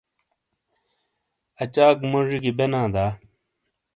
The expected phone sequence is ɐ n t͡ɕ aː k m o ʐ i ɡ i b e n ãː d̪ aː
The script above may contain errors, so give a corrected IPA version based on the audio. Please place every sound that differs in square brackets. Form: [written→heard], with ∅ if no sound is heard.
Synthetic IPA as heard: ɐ [n→∅] t͡ɕ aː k m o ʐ i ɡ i b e n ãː d̪ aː